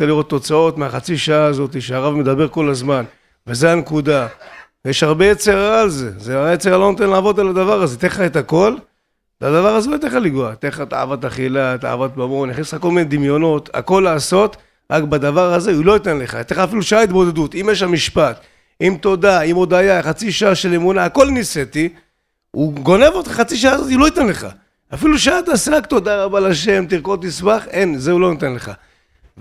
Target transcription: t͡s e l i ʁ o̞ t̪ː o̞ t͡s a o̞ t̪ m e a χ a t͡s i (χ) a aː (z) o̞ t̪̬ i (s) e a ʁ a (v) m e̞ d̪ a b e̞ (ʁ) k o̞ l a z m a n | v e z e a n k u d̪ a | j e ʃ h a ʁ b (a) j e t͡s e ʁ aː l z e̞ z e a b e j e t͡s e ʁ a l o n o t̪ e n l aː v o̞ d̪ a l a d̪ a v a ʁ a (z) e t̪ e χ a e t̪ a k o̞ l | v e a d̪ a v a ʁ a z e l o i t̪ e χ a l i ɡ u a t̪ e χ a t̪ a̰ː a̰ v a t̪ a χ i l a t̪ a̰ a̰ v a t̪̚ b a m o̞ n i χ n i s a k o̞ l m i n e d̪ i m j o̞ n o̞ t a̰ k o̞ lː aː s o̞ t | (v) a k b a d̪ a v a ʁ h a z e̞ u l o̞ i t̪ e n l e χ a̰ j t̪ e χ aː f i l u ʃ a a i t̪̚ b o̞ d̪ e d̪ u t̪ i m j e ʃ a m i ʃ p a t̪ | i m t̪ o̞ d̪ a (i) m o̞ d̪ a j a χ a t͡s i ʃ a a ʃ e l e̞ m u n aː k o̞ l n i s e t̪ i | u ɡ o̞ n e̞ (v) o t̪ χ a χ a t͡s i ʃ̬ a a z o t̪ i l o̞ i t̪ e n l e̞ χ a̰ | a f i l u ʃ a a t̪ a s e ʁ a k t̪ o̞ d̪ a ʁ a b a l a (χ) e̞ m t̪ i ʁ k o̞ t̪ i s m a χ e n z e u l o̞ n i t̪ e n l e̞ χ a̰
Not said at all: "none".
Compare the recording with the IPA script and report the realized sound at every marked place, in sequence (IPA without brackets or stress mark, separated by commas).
ʃ, z, ʃ, v, ʁ, e, z, ʁ, i, v, ʃ